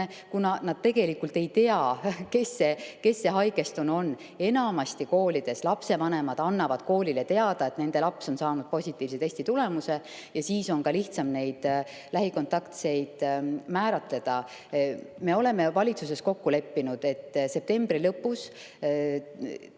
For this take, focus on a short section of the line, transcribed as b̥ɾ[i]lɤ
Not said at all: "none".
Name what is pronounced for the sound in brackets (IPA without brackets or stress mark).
i